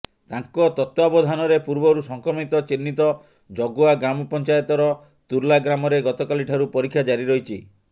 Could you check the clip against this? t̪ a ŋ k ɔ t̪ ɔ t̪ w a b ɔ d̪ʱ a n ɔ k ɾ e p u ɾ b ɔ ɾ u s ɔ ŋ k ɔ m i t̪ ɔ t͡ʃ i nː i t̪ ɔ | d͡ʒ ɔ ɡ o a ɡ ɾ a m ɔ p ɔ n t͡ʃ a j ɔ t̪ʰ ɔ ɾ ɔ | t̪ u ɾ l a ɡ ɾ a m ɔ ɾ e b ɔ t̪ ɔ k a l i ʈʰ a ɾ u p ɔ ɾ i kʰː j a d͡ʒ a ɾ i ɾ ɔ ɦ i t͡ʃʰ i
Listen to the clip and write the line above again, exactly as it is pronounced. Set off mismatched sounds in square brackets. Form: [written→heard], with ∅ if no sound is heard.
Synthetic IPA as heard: t̪ a ŋ k ɔ t̪ ɔ t̪ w a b ɔ d̪ʱ a n ɔ [k→∅] ɾ e p u ɾ b ɔ ɾ u s ɔ ŋ k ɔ m i t̪ ɔ t͡ʃ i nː i t̪ ɔ | d͡ʒ ɔ ɡ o a ɡ ɾ a m ɔ p ɔ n t͡ʃ a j ɔ [t̪ʰ→t̪] ɔ ɾ ɔ | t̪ u ɾ l a ɡ ɾ a m ɔ ɾ e [b→ɡ] ɔ t̪ ɔ k a l i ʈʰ a ɾ u p ɔ ɾ i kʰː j a d͡ʒ a ɾ i ɾ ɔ ɦ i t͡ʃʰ i